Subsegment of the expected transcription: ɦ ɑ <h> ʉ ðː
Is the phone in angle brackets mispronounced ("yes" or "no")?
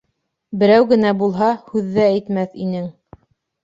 no